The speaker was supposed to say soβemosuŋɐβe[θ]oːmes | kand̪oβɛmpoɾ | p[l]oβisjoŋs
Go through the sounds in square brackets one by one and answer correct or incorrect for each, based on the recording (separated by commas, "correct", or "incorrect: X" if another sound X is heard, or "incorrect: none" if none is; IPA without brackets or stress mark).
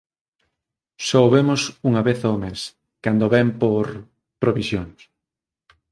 correct, incorrect: ɾ